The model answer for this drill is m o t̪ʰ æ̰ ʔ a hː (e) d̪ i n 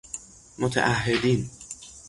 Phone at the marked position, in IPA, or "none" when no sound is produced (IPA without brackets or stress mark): e